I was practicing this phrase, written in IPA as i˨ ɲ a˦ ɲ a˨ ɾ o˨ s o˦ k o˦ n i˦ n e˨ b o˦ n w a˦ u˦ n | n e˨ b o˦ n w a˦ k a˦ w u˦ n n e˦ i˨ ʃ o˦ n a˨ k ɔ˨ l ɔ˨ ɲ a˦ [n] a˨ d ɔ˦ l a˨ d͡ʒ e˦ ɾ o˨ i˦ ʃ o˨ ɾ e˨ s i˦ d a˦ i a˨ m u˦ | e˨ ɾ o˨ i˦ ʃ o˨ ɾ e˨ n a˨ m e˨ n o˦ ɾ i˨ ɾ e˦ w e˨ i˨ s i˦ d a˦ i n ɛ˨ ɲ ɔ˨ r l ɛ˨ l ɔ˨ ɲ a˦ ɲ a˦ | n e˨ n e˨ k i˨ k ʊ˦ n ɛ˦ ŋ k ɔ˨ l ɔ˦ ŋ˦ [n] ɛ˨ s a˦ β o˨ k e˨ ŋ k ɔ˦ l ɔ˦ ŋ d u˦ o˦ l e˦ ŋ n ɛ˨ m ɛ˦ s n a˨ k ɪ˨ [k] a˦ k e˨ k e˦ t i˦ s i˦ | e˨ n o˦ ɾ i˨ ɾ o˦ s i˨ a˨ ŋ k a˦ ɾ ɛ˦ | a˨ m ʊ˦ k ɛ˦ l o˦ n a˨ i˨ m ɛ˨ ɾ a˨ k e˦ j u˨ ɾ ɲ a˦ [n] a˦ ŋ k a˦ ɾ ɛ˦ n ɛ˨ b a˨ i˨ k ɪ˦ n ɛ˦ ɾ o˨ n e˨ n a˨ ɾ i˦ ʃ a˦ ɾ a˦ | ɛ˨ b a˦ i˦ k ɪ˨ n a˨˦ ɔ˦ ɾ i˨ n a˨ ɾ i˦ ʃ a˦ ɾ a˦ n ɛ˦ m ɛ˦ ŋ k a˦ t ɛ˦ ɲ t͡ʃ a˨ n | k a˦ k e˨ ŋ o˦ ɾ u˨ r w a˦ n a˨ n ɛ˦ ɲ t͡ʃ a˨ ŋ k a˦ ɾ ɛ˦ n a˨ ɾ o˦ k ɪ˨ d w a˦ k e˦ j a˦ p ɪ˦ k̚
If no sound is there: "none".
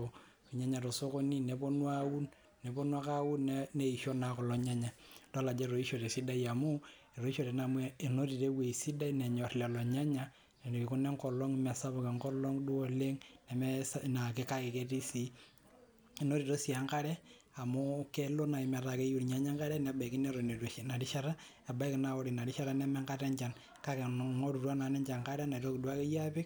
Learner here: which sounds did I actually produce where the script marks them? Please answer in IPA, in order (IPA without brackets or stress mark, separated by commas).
ɲ, m, k, ɲ